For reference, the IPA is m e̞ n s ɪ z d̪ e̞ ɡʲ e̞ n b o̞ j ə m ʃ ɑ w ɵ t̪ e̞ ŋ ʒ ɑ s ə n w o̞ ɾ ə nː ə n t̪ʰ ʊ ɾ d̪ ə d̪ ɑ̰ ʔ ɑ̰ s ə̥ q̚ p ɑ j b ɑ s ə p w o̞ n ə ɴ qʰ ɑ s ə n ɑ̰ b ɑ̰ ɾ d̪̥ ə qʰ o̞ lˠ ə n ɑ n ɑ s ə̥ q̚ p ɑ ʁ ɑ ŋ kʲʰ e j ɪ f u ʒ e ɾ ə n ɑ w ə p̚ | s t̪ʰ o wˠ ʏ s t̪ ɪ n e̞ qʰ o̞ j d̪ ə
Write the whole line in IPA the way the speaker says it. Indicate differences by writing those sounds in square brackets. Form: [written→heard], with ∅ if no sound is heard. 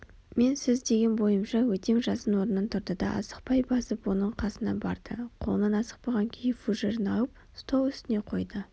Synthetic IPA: m e̞ n s ɪ z d̪ e̞ ɡʲ e̞ n b o̞ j ə m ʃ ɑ w ɵ t̪ e̞ ŋ ʒ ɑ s ə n w o̞ ɾ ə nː ə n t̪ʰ ʊ ɾ d̪ ə d̪ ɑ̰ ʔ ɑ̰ s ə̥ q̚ p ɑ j b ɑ s ə p w o̞ n ə ɴ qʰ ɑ s ə n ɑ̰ b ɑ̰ ɾ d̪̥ ə qʰ o̞ lˠ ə n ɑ n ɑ s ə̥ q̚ p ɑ ʁ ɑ ŋ kʲʰ e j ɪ f u ʒ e ɾ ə n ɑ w ə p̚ | s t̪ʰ o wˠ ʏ s t̪ ɪ n e̞ qʰ o̞ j d̪ ə